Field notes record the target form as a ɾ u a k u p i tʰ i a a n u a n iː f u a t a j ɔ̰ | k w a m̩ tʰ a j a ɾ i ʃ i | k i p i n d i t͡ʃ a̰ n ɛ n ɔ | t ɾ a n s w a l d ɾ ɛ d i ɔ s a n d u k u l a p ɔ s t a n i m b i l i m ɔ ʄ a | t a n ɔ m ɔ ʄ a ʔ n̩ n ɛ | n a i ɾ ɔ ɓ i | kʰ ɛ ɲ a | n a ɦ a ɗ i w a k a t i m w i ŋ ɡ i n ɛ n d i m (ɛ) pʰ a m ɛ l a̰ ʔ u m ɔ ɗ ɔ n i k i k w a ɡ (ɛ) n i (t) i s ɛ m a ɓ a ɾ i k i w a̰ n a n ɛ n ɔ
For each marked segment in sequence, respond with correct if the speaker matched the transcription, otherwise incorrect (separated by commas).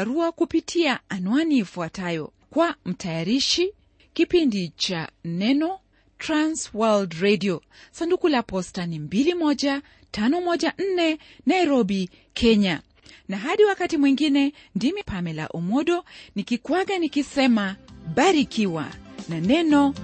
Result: incorrect, incorrect, incorrect